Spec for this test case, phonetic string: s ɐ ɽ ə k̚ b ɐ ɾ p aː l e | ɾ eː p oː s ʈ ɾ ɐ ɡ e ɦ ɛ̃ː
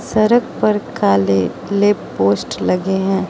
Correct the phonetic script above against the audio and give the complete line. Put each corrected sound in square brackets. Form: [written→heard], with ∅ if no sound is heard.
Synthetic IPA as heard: s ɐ [ɽ→ɾ] ə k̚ [b→p] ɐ ɾ [p→k] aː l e | [ɾ→l] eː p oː s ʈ [ɾ→l] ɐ ɡ e ɦ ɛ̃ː